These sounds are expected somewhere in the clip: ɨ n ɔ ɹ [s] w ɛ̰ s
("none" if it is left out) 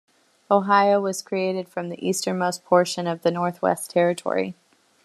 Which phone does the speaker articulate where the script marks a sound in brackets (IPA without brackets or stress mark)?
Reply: θ